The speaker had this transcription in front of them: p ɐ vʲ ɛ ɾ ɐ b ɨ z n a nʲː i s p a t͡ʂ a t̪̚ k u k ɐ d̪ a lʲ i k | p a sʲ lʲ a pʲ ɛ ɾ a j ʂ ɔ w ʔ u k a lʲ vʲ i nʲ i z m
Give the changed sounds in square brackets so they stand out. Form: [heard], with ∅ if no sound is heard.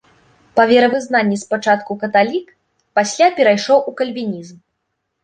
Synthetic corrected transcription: p ɐ vʲ ɛ ɾ ɐ [v] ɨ z n a nʲː i s p a t͡ʂ a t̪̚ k u k ɐ [t̪] a lʲ i k | p a sʲ lʲ a pʲ ɛ ɾ a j ʂ ɔ w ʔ u k [ɐ] lʲ vʲ i nʲ i z m